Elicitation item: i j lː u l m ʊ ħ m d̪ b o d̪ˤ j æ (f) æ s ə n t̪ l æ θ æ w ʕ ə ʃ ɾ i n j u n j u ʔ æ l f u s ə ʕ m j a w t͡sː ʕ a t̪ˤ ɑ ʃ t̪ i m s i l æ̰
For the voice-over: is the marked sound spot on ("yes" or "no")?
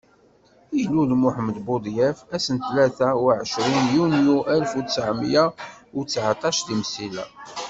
yes